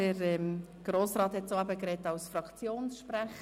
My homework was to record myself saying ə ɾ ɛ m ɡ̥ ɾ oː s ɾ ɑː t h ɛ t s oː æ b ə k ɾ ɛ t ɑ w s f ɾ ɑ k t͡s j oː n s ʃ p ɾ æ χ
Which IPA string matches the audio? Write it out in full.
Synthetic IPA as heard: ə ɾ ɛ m ɡ̥ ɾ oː s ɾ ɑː t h ɛ t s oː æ b ə k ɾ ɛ t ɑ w s f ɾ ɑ k t͡s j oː n s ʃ p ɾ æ χ